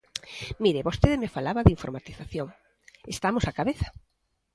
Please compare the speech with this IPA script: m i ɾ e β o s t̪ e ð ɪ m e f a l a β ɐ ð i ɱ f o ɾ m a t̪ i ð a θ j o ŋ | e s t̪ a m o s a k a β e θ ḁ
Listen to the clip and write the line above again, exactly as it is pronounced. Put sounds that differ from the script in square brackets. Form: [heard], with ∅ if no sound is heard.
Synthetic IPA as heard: m i ɾ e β o s t̪ e ð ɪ m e f a l a β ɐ ð i ɱ f o ɾ m a t̪ i [θ] a θ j o ŋ | e s t̪ a m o s a k a β e θ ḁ